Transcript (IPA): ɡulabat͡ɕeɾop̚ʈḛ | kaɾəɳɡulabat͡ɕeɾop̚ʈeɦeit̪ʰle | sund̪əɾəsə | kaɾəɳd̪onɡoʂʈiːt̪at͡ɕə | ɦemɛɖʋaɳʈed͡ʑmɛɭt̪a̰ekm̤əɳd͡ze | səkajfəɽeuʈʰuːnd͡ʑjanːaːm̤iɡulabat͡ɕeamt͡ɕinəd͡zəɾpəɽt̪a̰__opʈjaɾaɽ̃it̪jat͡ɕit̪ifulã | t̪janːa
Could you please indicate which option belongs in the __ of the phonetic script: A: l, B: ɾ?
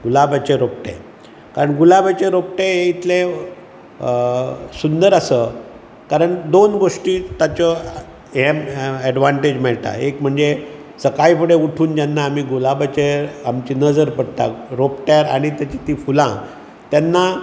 B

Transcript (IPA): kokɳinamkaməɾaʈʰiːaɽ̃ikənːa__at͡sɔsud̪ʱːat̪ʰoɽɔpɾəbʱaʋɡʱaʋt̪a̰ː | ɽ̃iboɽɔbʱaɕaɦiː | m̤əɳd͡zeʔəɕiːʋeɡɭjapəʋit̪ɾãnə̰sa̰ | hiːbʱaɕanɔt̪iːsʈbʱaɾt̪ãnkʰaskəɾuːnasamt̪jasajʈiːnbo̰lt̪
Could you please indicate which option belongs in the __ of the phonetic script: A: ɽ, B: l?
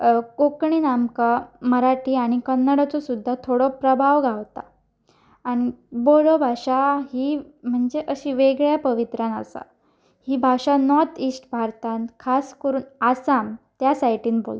A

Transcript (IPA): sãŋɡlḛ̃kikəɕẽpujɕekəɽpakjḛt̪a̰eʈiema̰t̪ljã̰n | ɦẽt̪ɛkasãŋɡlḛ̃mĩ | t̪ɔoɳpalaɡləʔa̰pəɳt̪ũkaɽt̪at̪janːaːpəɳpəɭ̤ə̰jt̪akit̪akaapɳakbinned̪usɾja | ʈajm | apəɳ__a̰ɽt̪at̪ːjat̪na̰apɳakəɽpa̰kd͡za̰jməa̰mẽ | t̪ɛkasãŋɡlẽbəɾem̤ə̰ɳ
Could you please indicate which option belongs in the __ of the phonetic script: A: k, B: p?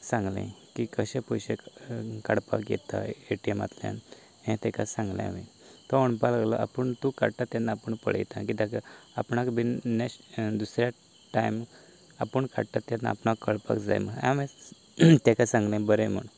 A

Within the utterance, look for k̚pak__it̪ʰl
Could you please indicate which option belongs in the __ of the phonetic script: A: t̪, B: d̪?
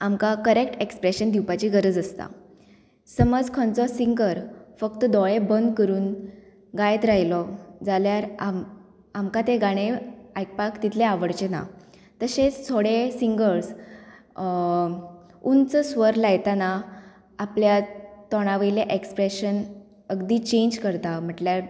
A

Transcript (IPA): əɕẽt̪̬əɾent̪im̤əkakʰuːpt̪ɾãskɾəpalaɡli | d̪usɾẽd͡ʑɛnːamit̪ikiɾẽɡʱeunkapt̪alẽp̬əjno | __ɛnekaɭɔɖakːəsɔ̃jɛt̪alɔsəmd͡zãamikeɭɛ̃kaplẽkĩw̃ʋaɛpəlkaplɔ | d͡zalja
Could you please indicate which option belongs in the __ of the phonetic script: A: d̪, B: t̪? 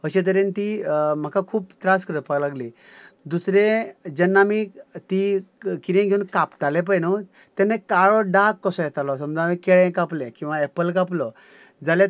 B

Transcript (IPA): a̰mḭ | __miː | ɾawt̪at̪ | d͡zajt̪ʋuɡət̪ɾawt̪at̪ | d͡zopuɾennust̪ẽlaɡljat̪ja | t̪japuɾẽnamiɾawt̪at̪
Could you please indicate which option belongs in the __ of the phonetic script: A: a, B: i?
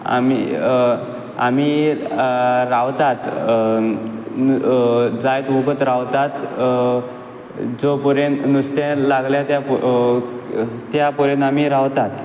A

